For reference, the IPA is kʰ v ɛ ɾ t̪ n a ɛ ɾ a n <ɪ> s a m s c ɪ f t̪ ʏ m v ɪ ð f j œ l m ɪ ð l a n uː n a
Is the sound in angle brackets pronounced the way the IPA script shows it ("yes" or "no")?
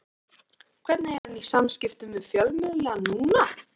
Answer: no